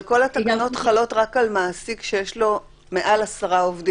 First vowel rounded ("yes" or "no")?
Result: yes